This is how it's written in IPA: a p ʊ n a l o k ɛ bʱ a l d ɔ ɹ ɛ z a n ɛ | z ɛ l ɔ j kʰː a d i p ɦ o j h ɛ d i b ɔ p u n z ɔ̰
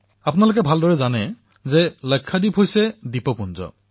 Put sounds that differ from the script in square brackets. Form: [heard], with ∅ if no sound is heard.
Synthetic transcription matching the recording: a p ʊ n a l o k ɛ bʱ a l d ɔ ɹ ɛ z a n ɛ | z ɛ l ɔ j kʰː a d i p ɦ o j [s] ɛ d i [p] ɔ p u n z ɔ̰